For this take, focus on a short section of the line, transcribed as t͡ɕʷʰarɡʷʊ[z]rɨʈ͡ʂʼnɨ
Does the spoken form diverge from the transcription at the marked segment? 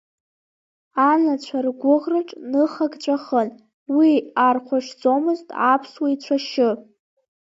yes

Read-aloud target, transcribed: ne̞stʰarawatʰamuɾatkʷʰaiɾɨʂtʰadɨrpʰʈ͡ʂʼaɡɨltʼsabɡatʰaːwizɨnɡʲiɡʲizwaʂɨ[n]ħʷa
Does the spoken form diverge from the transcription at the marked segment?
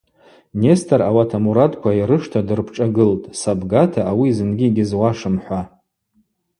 yes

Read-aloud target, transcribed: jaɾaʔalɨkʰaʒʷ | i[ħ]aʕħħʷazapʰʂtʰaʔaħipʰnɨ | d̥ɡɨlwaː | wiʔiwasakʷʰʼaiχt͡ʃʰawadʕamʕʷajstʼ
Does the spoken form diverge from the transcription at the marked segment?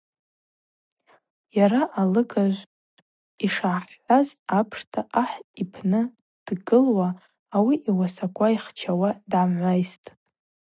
yes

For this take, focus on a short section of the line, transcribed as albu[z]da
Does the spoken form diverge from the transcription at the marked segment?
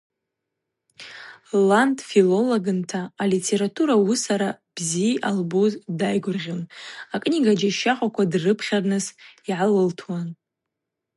no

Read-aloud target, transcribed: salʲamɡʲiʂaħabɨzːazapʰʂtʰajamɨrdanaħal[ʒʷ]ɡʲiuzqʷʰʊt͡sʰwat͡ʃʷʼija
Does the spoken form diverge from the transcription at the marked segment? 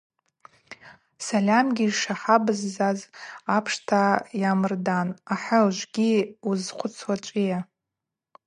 no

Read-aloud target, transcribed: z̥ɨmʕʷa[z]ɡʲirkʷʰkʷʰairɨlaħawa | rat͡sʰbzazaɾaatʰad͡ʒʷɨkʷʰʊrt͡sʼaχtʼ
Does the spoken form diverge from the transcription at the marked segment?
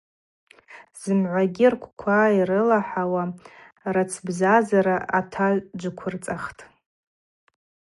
yes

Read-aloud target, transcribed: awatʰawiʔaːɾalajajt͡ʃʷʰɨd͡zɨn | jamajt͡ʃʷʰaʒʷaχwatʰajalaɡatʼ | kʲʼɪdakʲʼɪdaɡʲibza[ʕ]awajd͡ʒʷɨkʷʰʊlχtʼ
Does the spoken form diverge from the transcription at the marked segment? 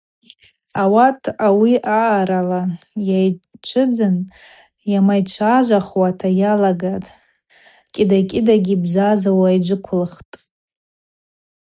yes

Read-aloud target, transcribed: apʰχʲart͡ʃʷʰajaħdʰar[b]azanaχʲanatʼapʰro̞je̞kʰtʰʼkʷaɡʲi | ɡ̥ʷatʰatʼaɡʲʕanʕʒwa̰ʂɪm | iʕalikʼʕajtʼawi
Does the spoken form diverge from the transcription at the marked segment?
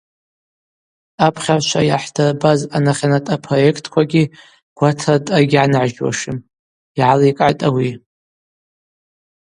no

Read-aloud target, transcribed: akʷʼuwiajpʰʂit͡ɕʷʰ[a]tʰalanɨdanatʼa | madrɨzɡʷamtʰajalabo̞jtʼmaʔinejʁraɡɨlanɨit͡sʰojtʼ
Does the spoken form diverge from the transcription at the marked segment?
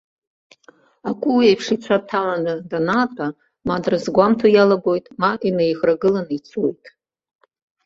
no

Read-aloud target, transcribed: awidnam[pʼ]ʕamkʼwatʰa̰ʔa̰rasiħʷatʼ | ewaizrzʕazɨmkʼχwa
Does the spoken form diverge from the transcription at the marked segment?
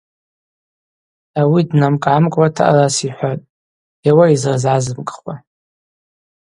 yes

